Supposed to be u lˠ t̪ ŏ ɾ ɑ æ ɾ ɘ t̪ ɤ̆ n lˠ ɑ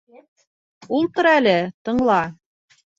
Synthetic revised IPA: u lˠ t̪ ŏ ɾ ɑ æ l ɘ t̪ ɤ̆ ɴ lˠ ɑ